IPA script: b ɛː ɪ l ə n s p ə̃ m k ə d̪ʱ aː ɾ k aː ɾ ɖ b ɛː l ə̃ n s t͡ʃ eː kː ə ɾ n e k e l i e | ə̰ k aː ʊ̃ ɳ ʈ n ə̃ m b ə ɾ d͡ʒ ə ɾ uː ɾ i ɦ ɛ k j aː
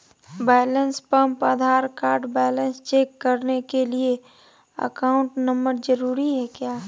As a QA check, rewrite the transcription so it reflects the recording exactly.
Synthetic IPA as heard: b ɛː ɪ l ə n s p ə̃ m p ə d̪ʱ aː ɾ k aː ɾ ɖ b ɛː l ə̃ n s t͡ʃ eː kː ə ɾ n e k e l i e | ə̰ k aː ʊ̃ ɳ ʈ n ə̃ m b ə ɾ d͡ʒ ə ɾ uː ɾ i ɦ ɛ k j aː